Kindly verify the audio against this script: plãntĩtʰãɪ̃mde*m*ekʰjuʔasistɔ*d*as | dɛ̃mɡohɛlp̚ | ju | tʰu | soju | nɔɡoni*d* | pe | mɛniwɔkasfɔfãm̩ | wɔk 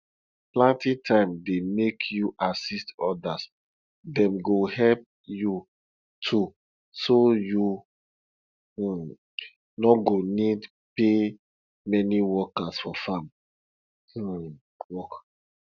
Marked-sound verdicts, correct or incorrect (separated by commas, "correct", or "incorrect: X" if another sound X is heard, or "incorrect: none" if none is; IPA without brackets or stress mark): correct, correct, correct